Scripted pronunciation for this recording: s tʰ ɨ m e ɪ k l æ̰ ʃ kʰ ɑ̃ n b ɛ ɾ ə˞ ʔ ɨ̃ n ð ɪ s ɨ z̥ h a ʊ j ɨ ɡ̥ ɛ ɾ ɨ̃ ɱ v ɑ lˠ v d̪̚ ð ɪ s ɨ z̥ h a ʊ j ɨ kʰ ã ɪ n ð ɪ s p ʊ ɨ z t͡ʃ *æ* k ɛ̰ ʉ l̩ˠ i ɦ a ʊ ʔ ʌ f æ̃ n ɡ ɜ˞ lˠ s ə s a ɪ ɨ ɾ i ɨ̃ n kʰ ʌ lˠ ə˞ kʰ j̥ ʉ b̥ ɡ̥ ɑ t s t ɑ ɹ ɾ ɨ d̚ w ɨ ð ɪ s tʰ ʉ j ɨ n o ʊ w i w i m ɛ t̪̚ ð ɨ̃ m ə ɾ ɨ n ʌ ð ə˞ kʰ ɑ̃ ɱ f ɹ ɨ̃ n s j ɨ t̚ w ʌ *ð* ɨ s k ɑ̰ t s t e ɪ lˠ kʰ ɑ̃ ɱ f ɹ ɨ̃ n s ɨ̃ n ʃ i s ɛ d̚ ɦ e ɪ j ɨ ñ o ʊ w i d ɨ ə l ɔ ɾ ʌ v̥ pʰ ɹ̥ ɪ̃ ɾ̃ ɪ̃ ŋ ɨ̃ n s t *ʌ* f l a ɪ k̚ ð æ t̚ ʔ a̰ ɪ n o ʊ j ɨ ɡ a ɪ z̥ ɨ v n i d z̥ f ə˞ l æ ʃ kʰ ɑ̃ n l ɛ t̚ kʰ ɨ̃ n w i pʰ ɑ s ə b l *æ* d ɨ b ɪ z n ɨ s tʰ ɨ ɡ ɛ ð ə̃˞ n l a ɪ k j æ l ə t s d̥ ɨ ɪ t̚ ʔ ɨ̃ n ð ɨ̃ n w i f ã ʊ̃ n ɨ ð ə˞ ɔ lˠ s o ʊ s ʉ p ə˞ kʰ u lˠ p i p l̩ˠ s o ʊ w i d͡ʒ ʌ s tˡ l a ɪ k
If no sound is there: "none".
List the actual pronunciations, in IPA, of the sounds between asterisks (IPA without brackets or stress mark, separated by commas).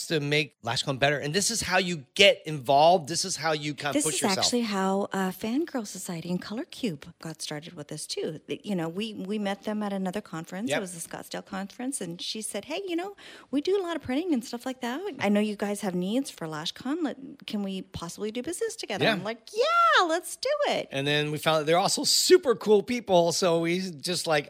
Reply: æ, z, ʌ, i